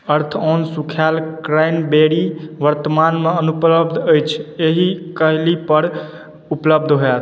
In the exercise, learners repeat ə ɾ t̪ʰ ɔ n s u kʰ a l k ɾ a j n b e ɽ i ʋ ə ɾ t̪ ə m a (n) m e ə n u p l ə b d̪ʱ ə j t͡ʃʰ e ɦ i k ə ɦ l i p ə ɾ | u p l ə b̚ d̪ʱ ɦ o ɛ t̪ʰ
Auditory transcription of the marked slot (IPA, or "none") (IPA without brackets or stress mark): n